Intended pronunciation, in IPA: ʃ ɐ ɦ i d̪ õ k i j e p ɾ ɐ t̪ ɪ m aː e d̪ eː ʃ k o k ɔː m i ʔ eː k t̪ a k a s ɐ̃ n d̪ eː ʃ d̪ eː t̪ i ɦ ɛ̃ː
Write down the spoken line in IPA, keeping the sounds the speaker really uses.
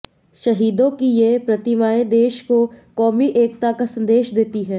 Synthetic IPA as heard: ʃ ɐ ɦ iː d̪ õ k i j e p ɾ ɐ t̪ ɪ m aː e d̪ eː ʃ k o k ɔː m i ʔ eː k t̪ a k a s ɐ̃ n d̪ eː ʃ d̪ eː t̪ i ɦ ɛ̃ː